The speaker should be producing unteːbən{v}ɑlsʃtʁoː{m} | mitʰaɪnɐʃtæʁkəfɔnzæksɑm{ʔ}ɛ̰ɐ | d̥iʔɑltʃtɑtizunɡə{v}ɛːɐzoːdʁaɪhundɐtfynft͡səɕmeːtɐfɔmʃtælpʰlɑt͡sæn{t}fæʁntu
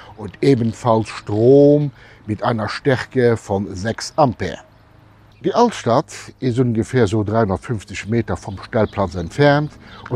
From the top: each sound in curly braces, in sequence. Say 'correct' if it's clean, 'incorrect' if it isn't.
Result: incorrect, correct, incorrect, incorrect, correct

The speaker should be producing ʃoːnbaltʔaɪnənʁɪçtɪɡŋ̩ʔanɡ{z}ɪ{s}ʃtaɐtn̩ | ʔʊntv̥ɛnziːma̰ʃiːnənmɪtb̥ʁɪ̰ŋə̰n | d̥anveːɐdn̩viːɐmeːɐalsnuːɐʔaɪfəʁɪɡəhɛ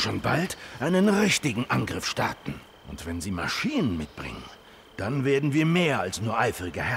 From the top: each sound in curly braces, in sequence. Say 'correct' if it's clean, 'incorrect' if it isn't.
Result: incorrect, incorrect

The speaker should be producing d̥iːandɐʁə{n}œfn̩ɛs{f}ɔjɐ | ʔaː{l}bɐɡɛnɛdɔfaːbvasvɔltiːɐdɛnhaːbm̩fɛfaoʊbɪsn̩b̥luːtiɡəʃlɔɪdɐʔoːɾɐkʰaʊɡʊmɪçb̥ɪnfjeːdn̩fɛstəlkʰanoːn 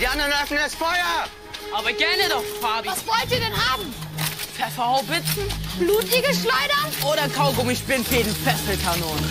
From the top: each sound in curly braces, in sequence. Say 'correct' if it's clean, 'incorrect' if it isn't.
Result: correct, correct, incorrect

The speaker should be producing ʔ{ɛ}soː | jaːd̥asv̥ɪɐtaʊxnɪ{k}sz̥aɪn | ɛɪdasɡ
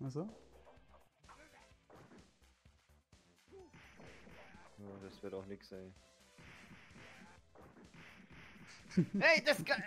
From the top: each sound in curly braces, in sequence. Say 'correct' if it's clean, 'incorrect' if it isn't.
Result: incorrect, correct

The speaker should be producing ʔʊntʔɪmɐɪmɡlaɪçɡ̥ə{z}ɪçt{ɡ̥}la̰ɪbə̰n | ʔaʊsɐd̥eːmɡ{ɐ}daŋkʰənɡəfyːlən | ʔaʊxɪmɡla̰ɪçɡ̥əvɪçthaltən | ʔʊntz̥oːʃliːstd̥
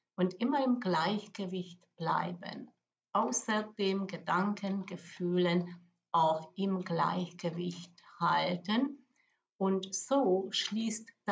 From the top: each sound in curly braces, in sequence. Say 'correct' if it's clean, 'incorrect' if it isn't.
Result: incorrect, incorrect, incorrect

